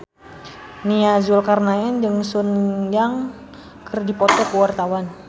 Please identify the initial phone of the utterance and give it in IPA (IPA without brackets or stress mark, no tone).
n